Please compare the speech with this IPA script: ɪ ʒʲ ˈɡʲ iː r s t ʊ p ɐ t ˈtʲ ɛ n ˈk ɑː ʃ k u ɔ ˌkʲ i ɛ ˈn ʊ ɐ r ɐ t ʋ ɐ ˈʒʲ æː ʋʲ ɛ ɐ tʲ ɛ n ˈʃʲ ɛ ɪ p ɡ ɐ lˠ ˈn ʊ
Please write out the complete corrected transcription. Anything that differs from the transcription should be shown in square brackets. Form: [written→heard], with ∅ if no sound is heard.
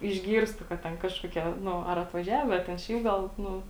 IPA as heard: ɪ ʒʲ ˈɡʲ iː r s t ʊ [p→k] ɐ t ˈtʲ ɛ n ˈk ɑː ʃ k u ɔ ˌkʲ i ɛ ˈn ʊ ɐ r ɐ t ʋ ɐ ˈʒʲ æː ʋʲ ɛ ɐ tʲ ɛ n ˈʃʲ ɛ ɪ p ɡ ɐ lˠ ˈn ʊ